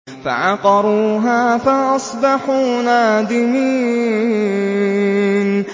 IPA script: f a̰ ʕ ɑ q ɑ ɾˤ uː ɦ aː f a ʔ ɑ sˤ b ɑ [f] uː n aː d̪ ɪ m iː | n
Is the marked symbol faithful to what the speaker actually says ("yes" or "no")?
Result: no